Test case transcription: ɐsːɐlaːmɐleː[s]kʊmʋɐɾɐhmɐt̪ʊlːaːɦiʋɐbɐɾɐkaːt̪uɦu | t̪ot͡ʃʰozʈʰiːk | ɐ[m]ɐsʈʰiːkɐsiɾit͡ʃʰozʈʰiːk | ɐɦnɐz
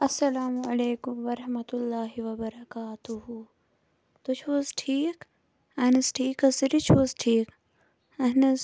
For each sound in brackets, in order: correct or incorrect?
incorrect: none, incorrect: n

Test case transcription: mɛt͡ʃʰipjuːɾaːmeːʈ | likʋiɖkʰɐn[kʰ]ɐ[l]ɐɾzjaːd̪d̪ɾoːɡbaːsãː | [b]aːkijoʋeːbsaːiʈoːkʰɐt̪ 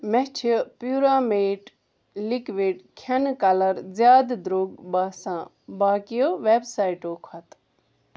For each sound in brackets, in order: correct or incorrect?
incorrect: k, correct, correct

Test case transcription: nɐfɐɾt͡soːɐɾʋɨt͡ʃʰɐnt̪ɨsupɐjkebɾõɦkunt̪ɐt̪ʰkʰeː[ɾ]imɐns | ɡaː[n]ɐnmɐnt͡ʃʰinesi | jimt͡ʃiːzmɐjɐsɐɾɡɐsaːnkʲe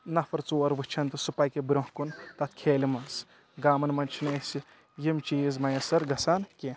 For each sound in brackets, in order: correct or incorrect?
incorrect: l, incorrect: m

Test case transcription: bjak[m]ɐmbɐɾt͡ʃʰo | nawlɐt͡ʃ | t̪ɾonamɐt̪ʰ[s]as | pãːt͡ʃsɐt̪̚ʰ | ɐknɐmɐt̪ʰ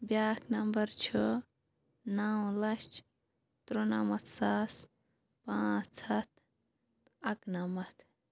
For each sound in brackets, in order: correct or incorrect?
incorrect: n, correct

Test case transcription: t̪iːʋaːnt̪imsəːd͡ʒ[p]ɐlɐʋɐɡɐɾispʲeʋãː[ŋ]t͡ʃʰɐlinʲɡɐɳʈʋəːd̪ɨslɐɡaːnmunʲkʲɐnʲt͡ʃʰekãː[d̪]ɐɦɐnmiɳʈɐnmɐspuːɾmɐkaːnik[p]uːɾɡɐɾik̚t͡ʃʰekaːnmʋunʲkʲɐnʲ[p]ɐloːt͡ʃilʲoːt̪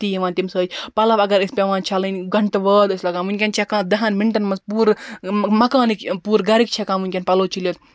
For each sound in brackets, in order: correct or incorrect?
correct, incorrect: n, correct, correct, correct

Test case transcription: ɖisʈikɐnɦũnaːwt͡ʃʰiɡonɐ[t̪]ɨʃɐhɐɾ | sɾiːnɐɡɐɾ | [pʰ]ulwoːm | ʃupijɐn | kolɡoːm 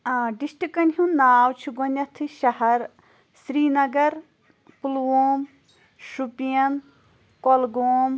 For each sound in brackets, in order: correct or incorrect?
incorrect: t̪ʰ, incorrect: p

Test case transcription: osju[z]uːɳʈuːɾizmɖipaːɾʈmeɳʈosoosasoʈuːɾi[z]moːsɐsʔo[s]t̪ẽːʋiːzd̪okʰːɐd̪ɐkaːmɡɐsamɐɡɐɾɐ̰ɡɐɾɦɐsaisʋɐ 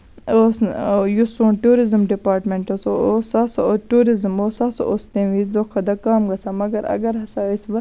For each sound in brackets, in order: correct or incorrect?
incorrect: s, correct, correct

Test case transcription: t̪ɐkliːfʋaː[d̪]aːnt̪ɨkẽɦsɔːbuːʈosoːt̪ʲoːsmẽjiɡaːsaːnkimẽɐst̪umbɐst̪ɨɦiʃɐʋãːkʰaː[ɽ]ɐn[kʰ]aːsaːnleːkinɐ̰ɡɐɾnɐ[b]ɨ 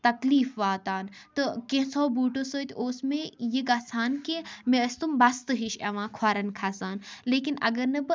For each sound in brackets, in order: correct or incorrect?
incorrect: t̪, incorrect: ɾ, correct, correct

